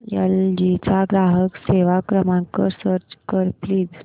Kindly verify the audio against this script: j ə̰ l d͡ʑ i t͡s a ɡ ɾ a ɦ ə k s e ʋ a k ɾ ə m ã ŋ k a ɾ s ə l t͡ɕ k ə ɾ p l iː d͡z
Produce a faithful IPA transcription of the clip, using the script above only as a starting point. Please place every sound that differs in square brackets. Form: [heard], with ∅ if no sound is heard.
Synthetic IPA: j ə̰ l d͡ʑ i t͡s a ɡ ɾ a ɦ ə k s e ʋ a k ɾ ə m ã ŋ k [ə] ɾ s ə [ɾ] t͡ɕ k ə ɾ p l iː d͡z